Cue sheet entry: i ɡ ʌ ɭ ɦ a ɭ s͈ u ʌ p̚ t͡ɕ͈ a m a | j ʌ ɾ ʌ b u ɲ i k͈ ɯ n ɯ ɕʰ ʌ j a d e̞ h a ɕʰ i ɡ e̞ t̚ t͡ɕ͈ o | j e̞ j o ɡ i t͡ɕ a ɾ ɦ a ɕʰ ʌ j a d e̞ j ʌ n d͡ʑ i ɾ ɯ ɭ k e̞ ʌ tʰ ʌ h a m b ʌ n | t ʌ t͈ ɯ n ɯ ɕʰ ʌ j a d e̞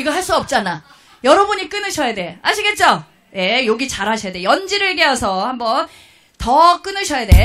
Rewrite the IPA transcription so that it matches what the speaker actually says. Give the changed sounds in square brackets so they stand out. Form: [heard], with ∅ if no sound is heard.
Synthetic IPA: i ɡ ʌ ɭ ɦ a ɭ s͈ u ʌ p̚ t͡ɕ͈ a [n] a | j ʌ ɾ ʌ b u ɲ i k͈ ɯ n ɯ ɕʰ ʌ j a d e̞ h a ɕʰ i ɡ e̞ t̚ t͡ɕ͈ o | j e̞ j o ɡ i t͡ɕ a ɾ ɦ a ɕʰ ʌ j a d e̞ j ʌ n d͡ʑ i ɾ ɯ ɭ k e̞ ʌ [sʰ] ʌ h a m b ʌ n | t ʌ [k͈] ɯ n ɯ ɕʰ ʌ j a d e̞